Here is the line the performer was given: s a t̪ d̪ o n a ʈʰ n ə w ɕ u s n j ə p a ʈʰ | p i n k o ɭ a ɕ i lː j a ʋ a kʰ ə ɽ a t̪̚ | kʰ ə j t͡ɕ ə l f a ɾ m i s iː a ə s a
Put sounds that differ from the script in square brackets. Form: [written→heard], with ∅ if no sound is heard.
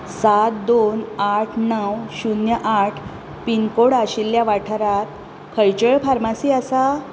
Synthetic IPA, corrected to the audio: s a t̪ d̪ o n a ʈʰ n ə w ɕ u [s→∅] n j ə [p→ʔ] a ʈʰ | p i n k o [ɭ→ɽ] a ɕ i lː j a ʋ a [kʰ→ʈʰ] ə [ɽ→ɾ] a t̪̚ | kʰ ə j t͡ɕ ə [l→ɭ] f a ɾ m [i→a] s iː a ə s a